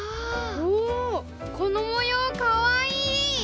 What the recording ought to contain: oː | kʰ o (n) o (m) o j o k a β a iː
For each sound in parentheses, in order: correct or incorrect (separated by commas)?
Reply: correct, correct